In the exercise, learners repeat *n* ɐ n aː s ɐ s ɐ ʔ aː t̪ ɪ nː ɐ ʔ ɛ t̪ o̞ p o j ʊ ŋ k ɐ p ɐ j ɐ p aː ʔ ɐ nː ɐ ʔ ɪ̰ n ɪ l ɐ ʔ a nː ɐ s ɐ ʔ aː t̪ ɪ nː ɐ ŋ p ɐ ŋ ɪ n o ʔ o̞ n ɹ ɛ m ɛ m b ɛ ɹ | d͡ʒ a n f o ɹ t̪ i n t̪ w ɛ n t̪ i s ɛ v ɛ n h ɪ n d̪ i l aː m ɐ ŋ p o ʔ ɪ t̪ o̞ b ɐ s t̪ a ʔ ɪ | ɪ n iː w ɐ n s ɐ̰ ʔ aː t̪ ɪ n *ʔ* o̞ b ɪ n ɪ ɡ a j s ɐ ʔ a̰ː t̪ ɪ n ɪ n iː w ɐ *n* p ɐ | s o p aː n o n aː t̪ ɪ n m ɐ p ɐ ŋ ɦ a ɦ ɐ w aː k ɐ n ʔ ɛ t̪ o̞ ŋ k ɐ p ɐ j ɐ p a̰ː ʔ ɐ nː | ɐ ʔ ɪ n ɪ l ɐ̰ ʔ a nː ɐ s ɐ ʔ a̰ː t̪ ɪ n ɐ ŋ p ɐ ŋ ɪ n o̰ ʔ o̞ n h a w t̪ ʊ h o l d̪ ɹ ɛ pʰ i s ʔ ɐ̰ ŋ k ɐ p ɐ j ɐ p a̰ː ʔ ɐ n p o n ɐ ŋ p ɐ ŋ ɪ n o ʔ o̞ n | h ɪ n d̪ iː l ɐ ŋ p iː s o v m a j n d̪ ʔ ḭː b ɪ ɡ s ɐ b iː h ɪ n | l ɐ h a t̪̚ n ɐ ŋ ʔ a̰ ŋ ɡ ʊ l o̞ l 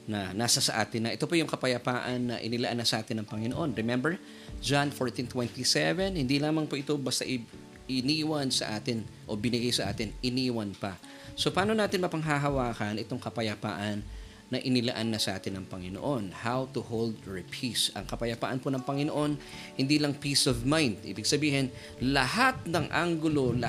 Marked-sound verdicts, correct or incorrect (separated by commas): correct, correct, correct